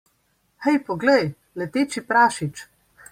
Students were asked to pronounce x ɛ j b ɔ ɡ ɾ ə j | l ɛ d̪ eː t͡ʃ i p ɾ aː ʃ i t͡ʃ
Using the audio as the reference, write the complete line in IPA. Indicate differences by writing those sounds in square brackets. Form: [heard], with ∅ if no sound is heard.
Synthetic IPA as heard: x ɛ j [p] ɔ ɡ [l] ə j | l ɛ [t̪] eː t͡ʃ i p ɾ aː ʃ i t͡ʃ